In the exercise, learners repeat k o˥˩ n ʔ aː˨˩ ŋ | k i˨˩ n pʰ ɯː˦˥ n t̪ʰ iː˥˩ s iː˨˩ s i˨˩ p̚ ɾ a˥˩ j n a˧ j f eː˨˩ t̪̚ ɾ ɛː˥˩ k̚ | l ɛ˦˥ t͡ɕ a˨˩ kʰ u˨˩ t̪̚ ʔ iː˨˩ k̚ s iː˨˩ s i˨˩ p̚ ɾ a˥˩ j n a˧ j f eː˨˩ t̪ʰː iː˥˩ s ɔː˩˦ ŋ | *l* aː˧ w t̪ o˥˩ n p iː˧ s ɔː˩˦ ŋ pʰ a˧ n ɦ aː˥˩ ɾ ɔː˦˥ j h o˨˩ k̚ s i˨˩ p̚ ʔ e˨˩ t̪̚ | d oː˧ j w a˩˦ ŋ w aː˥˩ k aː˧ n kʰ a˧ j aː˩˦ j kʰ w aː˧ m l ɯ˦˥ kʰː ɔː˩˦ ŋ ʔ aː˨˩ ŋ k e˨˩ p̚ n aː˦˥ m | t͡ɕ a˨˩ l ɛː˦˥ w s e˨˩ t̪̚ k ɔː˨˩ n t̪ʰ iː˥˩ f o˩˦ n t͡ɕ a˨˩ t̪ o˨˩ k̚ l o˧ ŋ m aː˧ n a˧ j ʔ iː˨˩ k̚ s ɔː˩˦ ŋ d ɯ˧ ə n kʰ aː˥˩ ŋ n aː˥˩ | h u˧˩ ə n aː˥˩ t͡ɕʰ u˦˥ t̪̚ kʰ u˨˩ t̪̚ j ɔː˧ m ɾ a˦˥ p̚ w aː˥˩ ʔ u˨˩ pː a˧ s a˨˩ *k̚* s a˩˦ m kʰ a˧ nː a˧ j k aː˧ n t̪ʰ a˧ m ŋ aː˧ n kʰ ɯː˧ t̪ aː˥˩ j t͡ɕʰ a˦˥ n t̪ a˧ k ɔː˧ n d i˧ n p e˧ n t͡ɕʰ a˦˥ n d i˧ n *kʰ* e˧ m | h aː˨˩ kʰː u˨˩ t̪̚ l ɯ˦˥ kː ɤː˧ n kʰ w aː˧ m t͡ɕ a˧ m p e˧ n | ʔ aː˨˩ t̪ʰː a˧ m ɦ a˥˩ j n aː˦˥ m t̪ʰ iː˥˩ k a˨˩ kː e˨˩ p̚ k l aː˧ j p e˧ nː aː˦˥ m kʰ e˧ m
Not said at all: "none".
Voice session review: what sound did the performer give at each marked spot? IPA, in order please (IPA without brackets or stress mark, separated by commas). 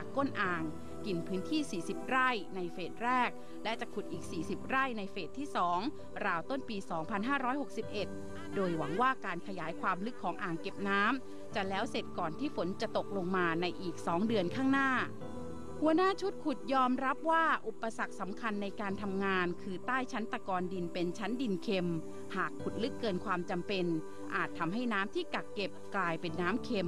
ɾ, k̚, kʰ